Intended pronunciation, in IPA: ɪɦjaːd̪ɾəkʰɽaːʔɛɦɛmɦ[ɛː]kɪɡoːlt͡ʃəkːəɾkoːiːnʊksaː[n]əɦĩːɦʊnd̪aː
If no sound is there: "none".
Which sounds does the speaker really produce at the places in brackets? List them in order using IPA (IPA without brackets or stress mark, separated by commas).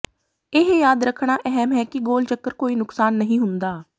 ɛː, nː